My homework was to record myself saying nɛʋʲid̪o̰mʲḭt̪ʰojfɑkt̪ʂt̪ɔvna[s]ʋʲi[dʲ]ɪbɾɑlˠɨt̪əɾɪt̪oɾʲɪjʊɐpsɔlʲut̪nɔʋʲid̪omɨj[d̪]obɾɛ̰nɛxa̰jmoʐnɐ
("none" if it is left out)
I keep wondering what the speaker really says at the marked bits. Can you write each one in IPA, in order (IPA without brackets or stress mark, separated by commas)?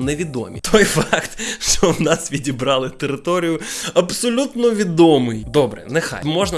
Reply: s, dʲ, d̪